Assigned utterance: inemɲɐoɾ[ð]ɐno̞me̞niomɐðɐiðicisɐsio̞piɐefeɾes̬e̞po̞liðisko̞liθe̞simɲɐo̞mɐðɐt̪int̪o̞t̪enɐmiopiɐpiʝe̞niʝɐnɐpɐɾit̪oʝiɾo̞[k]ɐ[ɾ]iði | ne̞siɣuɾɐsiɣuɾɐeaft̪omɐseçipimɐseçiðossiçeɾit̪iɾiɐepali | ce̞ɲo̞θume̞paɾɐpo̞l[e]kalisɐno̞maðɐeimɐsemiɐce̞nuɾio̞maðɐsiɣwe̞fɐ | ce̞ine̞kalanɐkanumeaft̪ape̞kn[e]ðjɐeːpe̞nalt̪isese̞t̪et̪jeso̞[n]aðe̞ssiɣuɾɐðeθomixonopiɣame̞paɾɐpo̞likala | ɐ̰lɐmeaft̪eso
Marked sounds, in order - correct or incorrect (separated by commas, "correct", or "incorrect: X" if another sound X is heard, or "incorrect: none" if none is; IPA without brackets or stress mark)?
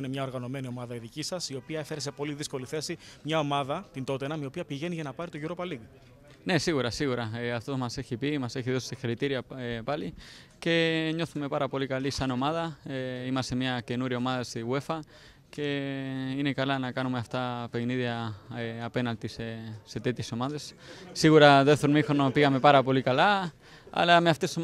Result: incorrect: ɣ, incorrect: p, incorrect: l, incorrect: i, incorrect: i, incorrect: m